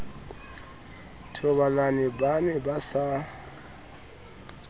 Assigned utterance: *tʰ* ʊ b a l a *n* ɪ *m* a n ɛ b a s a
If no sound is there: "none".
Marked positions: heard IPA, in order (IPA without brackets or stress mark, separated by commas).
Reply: tʰ, n, b